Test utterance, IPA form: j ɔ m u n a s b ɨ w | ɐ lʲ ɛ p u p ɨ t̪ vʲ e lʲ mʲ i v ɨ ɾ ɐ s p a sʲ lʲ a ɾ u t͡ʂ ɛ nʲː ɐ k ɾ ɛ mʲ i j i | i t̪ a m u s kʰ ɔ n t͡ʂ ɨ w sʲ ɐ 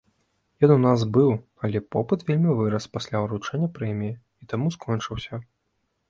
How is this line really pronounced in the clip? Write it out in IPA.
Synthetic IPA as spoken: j ɔ n u n a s b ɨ w | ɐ lʲ ɛ p ɔ p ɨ t̪ vʲ e lʲ mʲ i v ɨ ɾ ɐ s p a sʲ lʲ a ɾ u t͡ʂ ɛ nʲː ɐ p ɾ ɛ mʲ i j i | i t̪ a m u s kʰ ɔ n t͡ʂ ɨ w sʲ ɐ